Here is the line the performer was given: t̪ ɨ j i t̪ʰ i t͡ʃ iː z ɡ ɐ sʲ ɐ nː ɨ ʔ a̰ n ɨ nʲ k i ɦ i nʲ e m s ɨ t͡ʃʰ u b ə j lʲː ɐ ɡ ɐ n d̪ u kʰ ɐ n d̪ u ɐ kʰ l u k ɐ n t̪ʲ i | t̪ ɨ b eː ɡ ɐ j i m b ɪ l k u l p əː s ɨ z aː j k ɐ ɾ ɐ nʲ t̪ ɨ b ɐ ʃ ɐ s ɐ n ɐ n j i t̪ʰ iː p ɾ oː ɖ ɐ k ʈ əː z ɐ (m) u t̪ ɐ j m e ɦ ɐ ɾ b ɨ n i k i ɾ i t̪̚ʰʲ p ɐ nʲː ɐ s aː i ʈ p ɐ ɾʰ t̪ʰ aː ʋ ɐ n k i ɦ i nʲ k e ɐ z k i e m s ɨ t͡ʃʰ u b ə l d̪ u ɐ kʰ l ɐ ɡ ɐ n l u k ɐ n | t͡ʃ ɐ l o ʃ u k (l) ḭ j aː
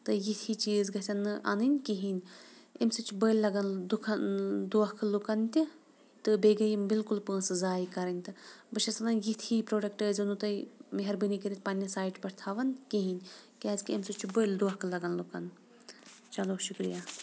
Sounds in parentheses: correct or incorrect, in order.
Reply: incorrect, incorrect

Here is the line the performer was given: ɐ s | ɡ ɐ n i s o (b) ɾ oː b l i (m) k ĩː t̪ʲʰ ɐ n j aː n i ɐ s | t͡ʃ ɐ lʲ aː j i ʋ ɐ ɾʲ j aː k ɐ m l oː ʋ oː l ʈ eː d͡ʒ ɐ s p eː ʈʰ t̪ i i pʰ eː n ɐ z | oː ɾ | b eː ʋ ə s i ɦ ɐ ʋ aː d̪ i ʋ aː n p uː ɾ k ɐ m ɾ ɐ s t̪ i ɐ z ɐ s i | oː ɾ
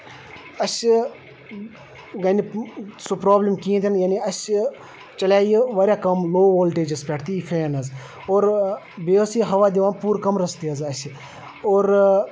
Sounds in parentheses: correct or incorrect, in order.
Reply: incorrect, correct

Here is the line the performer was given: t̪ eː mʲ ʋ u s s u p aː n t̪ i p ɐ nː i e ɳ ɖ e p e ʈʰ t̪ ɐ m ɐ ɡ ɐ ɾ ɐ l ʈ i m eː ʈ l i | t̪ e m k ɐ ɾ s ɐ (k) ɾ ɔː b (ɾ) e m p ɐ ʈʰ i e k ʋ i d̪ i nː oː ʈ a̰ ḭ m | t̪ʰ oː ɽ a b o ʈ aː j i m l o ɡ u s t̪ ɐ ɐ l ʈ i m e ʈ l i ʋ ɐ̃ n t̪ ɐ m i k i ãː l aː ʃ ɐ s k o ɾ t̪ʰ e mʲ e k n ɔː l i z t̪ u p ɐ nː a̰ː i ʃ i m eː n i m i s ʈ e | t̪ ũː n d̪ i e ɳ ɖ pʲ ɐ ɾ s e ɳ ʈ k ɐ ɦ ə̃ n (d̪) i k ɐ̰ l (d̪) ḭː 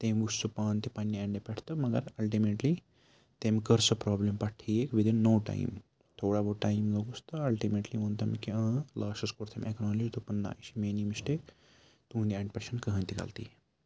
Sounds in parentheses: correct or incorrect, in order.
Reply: incorrect, incorrect, incorrect, incorrect

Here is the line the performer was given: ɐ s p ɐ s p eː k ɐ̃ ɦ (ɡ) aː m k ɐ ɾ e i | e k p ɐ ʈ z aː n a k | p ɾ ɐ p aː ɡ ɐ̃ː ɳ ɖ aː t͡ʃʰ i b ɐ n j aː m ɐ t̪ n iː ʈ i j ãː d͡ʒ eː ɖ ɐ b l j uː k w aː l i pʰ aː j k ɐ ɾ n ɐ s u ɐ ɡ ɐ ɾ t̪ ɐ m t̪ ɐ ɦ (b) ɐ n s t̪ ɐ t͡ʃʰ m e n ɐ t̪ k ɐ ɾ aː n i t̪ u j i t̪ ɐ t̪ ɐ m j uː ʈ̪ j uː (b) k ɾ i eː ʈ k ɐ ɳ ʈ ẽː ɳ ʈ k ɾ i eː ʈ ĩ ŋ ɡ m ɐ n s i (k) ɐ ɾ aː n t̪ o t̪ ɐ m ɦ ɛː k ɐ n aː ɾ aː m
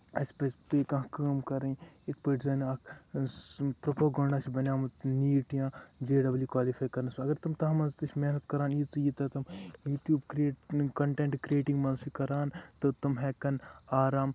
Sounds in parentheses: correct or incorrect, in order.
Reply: incorrect, incorrect, correct, correct

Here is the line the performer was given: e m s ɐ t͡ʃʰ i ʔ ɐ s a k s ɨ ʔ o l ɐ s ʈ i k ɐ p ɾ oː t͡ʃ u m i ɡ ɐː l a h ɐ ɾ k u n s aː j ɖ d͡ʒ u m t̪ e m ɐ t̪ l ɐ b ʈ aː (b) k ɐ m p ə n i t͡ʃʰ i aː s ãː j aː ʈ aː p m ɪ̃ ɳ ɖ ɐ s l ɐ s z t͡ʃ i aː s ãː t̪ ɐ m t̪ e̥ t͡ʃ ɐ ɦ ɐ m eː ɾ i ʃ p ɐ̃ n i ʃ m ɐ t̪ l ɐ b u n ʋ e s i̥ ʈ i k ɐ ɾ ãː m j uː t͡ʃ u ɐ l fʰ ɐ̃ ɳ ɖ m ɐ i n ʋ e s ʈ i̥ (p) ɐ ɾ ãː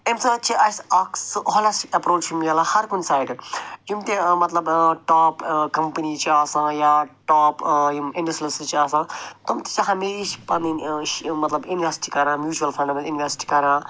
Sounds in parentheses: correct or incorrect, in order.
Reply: incorrect, incorrect

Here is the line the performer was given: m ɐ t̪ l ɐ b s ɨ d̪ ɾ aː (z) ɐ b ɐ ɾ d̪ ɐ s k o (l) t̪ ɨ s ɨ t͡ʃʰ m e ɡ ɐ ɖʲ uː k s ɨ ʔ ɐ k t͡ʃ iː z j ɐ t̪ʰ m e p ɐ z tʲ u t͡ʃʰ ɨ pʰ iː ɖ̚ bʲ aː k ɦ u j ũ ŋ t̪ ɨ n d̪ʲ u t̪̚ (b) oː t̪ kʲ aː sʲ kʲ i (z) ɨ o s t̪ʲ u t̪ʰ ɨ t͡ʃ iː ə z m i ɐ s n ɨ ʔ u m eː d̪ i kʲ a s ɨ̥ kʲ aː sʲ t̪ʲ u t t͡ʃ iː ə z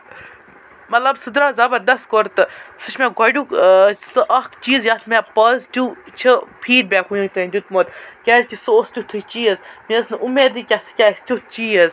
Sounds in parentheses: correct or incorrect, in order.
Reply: correct, incorrect, incorrect, incorrect

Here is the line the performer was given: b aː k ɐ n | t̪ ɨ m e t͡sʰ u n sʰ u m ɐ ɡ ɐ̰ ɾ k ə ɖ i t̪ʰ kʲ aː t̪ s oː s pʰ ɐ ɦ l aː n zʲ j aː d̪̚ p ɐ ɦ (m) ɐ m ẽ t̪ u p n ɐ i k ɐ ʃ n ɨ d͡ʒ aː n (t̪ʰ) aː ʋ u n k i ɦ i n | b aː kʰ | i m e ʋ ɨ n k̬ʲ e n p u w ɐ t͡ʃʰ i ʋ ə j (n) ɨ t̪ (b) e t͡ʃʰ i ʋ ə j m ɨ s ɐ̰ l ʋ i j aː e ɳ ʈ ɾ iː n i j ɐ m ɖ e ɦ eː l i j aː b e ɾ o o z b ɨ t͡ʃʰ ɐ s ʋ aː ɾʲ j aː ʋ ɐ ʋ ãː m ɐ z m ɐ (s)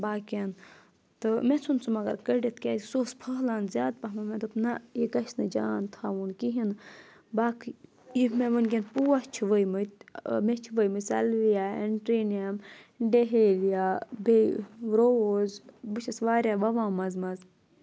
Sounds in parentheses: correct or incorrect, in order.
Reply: correct, correct, incorrect, incorrect, incorrect

